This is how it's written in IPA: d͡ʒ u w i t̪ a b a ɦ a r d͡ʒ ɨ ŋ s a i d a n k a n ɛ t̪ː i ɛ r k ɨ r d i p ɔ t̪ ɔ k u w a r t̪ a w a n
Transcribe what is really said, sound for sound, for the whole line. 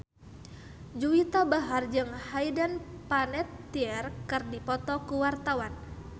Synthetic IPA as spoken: d͡ʒ u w i t̪ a b a ɦ a r d͡ʒ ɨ ŋ h a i d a n p a n ɛ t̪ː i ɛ r k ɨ r d i p ɔ t̪ ɔ k u w a r t̪ a w a n